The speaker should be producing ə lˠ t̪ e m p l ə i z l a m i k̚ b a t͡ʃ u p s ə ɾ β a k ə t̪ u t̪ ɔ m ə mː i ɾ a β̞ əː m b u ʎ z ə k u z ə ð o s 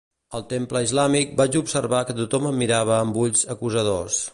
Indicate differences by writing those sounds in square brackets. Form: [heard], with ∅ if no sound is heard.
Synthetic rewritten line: ə lˠ t̪ e m p l ə i z l a m i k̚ b a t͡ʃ u p s ə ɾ β a k ə t̪ u t̪ ɔ m ə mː i ɾ a β̞ əː m b u ʎ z ə k u z ə ð o s